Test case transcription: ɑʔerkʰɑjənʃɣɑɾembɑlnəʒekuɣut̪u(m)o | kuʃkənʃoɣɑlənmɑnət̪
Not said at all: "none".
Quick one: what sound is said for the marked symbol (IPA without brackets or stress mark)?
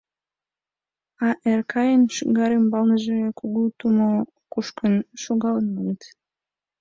m